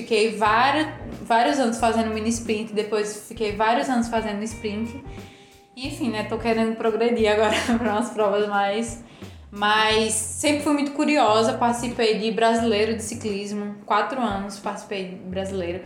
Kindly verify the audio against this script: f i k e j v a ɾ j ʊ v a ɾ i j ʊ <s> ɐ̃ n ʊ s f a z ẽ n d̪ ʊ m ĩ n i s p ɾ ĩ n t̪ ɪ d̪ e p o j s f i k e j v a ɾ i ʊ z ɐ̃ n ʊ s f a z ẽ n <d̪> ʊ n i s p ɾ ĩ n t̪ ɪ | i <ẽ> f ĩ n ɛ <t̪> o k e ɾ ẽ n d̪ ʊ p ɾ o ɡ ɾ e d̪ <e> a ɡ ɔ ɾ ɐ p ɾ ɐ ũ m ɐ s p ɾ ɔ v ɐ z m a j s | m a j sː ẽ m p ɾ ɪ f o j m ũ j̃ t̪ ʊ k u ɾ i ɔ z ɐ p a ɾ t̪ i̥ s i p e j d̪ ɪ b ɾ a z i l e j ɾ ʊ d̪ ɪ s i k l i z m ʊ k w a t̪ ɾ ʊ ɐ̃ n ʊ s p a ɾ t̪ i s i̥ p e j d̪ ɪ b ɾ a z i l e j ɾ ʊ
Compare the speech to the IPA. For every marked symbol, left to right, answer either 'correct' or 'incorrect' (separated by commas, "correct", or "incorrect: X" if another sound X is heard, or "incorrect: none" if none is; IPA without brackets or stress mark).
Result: incorrect: z, correct, correct, correct, incorrect: i